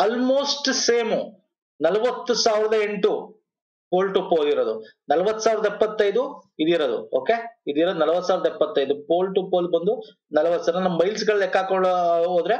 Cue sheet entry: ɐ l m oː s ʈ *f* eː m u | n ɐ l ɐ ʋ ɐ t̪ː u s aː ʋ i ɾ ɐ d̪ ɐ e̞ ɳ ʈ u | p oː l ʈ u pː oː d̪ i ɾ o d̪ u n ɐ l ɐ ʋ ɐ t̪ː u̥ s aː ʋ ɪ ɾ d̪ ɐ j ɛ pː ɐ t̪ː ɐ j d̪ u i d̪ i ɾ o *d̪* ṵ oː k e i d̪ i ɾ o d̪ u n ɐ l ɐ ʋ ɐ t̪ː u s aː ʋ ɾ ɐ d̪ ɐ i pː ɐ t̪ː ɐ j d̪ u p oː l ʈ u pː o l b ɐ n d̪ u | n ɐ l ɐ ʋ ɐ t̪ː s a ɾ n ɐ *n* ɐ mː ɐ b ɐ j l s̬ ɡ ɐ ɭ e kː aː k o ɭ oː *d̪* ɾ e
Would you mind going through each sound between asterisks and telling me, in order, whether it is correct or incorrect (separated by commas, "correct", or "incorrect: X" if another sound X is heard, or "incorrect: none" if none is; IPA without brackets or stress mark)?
incorrect: s, correct, correct, correct